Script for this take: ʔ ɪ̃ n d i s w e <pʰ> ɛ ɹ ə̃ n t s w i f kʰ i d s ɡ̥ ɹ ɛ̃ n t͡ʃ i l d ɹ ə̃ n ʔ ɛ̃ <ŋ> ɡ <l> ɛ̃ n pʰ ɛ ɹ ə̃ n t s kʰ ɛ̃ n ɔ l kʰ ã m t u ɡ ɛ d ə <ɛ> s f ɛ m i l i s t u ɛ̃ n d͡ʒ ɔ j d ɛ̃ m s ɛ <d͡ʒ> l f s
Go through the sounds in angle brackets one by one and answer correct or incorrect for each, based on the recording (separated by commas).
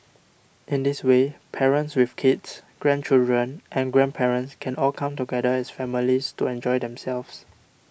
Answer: correct, incorrect, incorrect, correct, incorrect